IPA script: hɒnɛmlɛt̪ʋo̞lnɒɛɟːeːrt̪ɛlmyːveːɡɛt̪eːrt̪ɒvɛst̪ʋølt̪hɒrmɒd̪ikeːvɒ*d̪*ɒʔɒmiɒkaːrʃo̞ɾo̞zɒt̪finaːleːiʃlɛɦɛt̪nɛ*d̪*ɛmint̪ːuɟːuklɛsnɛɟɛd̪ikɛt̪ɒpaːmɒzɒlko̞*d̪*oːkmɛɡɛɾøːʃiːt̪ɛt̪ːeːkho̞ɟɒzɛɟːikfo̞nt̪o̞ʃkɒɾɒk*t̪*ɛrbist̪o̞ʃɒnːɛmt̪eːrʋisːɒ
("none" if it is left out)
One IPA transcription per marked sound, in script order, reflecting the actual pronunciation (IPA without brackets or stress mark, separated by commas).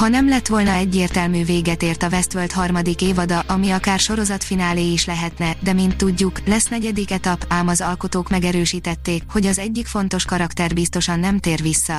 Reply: d̪, d̪, t̪, t̪